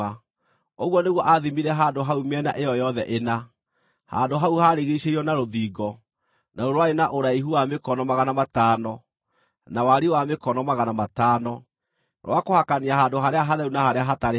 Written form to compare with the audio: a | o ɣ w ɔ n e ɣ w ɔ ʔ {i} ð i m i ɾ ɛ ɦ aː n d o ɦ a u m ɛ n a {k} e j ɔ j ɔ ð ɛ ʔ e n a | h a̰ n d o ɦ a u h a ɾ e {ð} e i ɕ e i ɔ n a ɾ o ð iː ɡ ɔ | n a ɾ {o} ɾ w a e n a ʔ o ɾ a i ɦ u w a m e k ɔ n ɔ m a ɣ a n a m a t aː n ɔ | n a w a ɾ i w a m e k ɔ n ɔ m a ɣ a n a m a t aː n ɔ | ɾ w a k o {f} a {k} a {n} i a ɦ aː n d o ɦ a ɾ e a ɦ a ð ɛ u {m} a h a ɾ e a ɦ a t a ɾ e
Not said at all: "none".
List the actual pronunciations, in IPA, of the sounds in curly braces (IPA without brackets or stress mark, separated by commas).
a, ʔ, ɣ, o, h, k, n, n